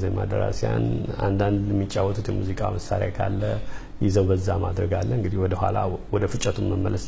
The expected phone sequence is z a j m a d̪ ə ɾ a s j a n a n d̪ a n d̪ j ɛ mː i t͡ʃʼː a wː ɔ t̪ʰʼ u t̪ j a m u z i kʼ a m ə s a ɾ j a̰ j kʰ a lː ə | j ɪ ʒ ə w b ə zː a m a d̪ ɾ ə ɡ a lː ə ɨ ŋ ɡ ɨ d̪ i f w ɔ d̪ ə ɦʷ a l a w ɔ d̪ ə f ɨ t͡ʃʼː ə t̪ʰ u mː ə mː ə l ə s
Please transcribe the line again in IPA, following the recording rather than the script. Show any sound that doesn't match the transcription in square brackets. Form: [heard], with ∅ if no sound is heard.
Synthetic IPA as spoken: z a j m a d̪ ə ɾ a s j a n a n d̪ a n d̪ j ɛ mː i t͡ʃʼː a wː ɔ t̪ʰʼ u t̪ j [ɛ] m u z i kʼ a m ə s a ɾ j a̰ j kʰ a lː ə | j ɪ [z] ə w b ə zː a m a d̪ ɾ ə ɡ a lː ə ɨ ŋ ɡ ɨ d̪ i [h] w ɔ d̪ ə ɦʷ a l a w ɔ d̪ ə f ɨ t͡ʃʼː ə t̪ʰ u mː ə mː ə l ə s